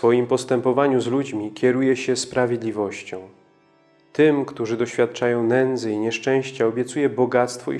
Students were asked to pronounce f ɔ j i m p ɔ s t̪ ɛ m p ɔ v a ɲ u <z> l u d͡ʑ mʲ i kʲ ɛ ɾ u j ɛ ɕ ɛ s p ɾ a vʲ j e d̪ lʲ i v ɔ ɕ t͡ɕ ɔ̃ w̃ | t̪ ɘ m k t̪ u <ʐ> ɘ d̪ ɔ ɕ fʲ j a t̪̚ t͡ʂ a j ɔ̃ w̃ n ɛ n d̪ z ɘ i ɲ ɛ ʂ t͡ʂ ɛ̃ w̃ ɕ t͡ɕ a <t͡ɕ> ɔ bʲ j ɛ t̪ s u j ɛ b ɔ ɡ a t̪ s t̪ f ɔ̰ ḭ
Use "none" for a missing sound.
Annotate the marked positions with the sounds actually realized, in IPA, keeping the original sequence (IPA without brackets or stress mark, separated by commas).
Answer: z, ʐ, none